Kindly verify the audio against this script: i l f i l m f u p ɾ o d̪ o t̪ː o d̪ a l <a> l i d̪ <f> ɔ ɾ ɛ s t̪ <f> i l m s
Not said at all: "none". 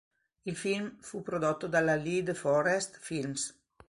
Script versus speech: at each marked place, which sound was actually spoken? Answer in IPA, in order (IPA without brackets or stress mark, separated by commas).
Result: a, f, f